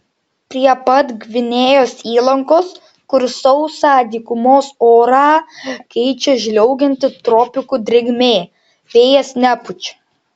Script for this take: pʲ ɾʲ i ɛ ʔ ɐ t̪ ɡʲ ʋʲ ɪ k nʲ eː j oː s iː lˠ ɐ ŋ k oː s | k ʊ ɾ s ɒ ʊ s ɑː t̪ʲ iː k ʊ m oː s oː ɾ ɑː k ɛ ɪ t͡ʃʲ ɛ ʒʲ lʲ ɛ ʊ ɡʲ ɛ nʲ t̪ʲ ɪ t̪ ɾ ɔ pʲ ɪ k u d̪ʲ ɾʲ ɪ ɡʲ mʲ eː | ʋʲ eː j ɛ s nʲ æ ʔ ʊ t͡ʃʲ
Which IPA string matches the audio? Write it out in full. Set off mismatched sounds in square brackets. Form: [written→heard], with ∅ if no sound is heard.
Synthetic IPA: pʲ ɾʲ i ɛ [ʔ→p] ɐ t̪ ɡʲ ʋʲ ɪ [k→∅] nʲ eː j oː s iː lˠ ɐ ŋ k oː s | k ʊ ɾ s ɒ ʊ s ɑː [t̪ʲ→d̪ʲ] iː k ʊ m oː s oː ɾ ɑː k ɛ ɪ t͡ʃʲ ɛ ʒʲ lʲ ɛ ʊ ɡʲ ɛ nʲ t̪ʲ ɪ t̪ ɾ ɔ pʲ ɪ k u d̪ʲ ɾʲ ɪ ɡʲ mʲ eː | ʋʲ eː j ɛ s nʲ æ [ʔ→p] ʊ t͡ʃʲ

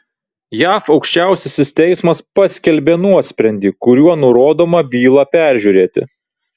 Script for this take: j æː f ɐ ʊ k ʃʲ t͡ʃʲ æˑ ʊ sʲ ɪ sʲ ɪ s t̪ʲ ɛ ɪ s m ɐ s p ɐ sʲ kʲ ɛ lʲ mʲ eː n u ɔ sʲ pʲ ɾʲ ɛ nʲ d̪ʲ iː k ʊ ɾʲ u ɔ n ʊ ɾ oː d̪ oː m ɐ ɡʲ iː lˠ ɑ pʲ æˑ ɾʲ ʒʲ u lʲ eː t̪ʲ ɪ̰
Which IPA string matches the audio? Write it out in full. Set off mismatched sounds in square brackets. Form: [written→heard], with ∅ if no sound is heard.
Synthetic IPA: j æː f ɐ ʊ k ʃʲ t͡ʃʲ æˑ ʊ sʲ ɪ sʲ ɪ s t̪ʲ ɛ ɪ s m ɐ s p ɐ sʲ kʲ ɛ lʲ [mʲ→bʲ] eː n u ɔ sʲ pʲ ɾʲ ɛ nʲ d̪ʲ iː k ʊ ɾʲ u ɔ n ʊ ɾ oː d̪ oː m ɐ [ɡʲ→bʲ] iː lˠ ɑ pʲ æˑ ɾʲ ʒʲ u [lʲ→ɾʲ] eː t̪ʲ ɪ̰

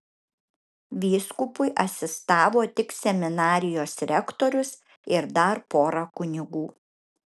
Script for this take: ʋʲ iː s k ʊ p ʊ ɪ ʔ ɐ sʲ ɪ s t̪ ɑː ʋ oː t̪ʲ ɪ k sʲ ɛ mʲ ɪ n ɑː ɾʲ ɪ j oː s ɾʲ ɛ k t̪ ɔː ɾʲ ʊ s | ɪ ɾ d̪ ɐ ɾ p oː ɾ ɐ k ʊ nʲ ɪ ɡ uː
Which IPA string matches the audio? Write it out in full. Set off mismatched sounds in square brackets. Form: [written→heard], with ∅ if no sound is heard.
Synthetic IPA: ʋʲ iː s k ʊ p ʊ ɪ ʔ ɐ sʲ ɪ s t̪ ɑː ʋ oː t̪ʲ ɪ k sʲ ɛ mʲ ɪ n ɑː ɾʲ ɪ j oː s ɾʲ ɛ k t̪ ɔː ɾʲ ʊ s | ɪ ɾ d̪ ɐ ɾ p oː ɾ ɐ k ʊ nʲ ɪ ɡ uː

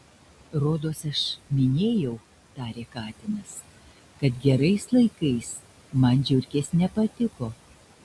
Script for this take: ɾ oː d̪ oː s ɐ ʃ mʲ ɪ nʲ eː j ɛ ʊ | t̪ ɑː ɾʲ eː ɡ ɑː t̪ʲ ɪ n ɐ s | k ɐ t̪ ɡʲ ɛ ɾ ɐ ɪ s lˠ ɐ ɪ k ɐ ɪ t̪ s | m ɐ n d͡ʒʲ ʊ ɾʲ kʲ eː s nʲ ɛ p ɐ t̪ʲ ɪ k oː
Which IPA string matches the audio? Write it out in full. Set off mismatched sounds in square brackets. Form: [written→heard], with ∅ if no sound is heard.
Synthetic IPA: ɾ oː d̪ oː s ɐ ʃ mʲ ɪ nʲ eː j ɛ ʊ | t̪ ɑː ɾʲ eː [ɡ→k] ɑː t̪ʲ ɪ n ɐ s | k ɐ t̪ ɡʲ ɛ ɾ ɐ ɪ s lˠ ɐ ɪ k ɐ ɪ [t̪→∅] s | m ɐ n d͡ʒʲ ʊ ɾʲ kʲ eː s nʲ ɛ p ɐ t̪ʲ ɪ k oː

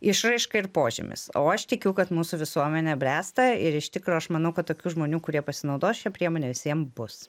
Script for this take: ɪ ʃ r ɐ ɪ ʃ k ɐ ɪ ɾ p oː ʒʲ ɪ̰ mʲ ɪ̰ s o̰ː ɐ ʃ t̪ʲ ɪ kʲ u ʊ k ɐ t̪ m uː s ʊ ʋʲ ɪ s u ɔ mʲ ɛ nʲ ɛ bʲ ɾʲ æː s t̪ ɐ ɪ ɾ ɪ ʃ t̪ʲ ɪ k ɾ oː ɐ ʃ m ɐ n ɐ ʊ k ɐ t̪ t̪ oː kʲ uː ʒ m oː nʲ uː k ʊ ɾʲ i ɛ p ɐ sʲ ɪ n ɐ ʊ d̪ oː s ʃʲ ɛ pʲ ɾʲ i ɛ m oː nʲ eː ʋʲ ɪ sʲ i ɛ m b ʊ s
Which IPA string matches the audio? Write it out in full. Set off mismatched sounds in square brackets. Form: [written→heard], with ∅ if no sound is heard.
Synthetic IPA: ɪ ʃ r ɐ ɪ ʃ k ɐ ɪ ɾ p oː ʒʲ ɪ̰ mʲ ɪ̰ s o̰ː ɐ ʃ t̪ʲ ɪ kʲ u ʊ k ɐ t̪ m uː s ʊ ʋʲ ɪ s u ɔ mʲ ɛ nʲ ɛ bʲ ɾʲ æː s t̪ ɐ ɪ ɾ ɪ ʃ t̪ʲ ɪ k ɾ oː ɐ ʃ m ɐ n ɐ ʊ k ɐ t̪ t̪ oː kʲ uː ʒ m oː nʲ uː k ʊ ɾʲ i ɛ p ɐ sʲ ɪ n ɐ ʊ d̪ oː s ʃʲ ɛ pʲ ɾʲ i ɛ m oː nʲ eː ʋʲ ɪ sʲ i ɛ m b ʊ s

